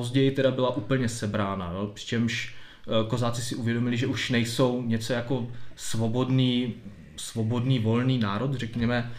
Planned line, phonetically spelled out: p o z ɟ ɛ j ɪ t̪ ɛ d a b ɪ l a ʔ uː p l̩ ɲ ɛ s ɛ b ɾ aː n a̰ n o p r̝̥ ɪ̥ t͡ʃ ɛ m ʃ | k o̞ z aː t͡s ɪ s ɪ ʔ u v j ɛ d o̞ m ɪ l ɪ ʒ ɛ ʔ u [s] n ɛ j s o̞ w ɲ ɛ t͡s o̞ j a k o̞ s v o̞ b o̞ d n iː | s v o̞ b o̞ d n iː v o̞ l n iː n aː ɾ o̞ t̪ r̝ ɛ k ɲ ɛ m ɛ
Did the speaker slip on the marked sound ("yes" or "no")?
yes